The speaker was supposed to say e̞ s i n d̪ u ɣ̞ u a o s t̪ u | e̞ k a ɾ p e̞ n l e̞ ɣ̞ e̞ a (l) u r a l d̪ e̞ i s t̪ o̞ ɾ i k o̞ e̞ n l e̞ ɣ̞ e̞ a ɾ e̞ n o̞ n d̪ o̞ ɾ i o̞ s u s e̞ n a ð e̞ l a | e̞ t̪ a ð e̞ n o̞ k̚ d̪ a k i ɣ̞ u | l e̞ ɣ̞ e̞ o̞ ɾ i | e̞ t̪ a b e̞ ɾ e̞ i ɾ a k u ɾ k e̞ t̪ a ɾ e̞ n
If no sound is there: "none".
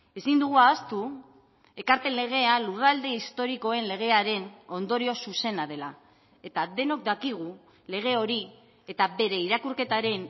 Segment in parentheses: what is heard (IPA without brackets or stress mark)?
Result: l